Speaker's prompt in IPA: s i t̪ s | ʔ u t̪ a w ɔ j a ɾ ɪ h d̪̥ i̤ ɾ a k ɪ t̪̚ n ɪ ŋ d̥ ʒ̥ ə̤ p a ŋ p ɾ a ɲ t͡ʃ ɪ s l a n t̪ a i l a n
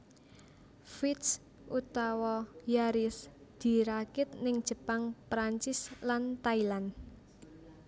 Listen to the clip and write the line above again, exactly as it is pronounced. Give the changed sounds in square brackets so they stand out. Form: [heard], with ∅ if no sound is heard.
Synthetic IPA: [f] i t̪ s | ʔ u t̪ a w ɔ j a ɾ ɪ [s] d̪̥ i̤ ɾ a k ɪ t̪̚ n ɪ ŋ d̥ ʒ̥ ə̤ p a ŋ p ɾ a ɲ t͡ʃ ɪ s l a n t̪ a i l a n